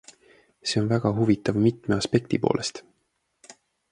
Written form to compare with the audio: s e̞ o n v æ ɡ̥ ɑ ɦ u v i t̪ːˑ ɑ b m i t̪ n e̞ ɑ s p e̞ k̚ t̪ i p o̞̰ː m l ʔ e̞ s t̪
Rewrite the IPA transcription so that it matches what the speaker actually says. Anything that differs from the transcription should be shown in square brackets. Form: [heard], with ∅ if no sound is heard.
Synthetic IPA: s e̞ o n v æ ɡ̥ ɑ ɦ u v i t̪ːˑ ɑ [v] m i t̪ [m] e̞ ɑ s p e̞ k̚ t̪ i p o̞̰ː [∅] l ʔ e̞ s t̪